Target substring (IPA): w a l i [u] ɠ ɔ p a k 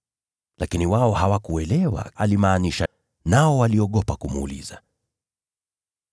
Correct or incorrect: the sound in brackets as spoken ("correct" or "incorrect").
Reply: incorrect